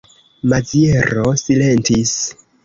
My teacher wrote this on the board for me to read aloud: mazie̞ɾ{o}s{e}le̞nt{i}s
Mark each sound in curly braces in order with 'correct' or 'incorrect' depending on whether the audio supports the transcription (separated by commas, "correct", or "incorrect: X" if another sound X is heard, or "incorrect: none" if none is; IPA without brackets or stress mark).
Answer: correct, incorrect: i, correct